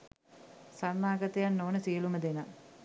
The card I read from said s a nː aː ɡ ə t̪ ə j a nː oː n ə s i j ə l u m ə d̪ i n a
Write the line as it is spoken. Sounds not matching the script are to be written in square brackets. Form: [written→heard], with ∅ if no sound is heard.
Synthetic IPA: s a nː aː ɡ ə t̪ ə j a nː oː n ə s i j ə l u m ə d̪ [i→e] n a